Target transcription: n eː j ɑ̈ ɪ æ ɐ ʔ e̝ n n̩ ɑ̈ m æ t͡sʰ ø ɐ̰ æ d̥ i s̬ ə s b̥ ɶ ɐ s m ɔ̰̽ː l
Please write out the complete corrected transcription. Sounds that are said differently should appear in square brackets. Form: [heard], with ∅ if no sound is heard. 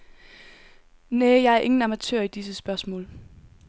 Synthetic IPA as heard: n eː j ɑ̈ ɪ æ ɐ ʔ e̝ [ŋ] n̩ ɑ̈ m æ t͡sʰ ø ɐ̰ [i] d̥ i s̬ ə s b̥ ɶ ɐ s m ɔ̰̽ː l